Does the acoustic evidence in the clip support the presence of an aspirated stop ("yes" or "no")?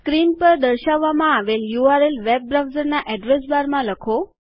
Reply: yes